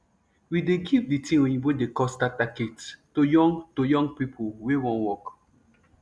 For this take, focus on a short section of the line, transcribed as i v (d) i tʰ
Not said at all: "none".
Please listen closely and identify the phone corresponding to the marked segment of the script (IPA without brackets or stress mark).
d